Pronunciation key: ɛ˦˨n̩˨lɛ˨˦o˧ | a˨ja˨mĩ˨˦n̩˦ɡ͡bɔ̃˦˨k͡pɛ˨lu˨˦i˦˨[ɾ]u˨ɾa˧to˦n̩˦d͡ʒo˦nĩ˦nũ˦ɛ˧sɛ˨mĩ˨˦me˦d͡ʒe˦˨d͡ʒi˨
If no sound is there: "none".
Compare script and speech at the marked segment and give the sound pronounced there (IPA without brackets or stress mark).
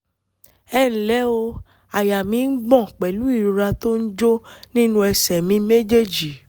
ɾ